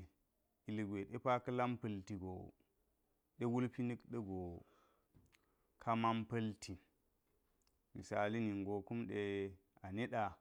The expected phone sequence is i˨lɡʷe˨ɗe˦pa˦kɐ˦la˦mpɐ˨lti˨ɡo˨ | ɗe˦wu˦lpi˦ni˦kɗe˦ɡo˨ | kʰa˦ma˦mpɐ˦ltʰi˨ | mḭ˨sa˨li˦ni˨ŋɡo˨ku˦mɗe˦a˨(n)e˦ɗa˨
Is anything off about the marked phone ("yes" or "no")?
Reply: no